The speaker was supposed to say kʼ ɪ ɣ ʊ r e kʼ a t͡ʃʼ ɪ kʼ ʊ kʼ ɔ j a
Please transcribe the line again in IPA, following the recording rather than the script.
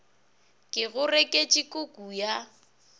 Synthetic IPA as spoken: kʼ ɪ ɣ ʊ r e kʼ e t͡ʃʼ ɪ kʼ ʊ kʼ u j a